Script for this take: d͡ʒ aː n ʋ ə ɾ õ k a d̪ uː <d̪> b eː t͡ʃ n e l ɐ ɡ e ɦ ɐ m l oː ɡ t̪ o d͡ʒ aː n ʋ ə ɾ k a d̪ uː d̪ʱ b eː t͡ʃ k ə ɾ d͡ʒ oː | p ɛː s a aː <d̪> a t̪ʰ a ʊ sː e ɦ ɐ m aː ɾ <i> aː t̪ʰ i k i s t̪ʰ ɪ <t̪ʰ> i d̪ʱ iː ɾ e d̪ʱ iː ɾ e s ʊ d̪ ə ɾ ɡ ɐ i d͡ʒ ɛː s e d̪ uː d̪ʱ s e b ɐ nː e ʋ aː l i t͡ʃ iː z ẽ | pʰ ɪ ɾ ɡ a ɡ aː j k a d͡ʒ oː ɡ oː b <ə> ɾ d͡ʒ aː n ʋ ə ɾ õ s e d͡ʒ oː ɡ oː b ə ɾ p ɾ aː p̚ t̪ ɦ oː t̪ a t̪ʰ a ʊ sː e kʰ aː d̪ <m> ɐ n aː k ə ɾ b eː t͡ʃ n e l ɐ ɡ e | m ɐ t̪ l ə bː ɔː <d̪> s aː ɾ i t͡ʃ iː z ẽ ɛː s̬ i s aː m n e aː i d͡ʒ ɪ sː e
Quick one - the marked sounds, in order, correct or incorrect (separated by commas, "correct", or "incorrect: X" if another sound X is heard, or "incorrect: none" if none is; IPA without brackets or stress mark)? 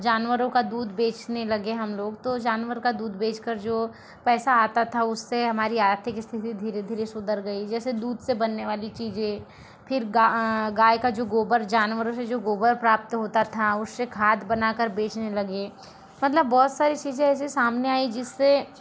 correct, incorrect: t̪, correct, incorrect: t̪, correct, incorrect: b, incorrect: t̪